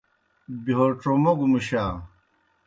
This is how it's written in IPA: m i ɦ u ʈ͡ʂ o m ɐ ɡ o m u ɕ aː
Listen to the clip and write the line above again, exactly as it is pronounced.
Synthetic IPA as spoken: b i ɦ o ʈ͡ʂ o m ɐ ɡ u m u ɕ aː